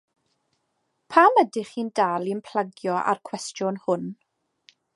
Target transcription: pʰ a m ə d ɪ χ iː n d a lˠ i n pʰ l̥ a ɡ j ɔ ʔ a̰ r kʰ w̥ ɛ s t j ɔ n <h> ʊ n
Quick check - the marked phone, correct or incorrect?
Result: correct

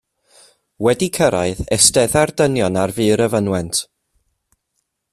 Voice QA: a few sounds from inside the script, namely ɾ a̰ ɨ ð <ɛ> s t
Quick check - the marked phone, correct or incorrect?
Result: correct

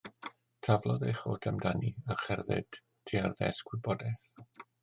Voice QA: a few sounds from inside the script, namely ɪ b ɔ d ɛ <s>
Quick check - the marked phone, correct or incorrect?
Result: incorrect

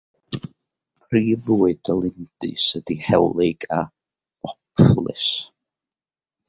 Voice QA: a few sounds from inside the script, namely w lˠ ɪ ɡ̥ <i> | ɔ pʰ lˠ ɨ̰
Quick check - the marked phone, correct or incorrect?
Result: incorrect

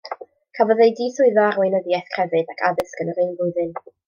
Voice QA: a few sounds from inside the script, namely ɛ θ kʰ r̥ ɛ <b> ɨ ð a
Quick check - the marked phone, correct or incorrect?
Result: incorrect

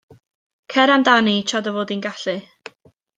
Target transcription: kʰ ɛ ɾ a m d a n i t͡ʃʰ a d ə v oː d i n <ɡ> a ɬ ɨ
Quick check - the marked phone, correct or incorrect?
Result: correct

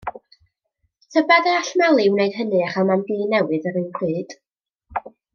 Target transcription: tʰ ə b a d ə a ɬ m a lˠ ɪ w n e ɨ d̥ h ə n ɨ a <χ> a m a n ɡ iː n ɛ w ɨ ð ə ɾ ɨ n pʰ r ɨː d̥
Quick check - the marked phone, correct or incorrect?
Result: correct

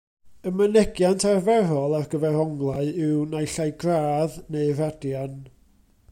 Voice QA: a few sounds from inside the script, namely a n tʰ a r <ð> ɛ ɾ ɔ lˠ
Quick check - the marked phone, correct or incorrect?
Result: incorrect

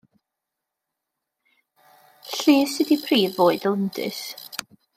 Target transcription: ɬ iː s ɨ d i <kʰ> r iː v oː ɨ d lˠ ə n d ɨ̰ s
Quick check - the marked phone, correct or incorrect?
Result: incorrect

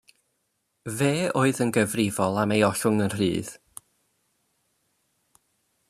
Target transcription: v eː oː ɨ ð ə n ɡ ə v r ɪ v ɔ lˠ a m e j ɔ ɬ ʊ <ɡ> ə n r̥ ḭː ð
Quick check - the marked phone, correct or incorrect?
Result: incorrect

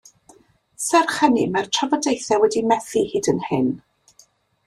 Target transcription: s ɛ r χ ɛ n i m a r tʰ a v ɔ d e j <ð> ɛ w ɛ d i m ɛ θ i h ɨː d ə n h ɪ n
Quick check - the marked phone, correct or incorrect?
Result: incorrect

